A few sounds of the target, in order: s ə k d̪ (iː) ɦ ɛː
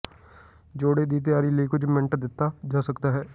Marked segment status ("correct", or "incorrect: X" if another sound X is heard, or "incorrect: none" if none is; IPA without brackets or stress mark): incorrect: aː